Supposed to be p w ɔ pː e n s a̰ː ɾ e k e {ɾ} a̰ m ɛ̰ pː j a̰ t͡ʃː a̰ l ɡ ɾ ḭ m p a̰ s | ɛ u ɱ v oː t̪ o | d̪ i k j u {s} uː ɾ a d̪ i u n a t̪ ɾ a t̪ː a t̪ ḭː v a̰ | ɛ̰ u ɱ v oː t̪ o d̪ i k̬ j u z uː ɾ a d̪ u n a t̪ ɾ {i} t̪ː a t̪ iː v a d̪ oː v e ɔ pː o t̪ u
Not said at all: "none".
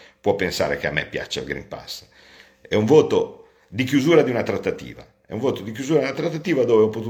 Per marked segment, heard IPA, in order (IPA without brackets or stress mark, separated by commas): none, z, a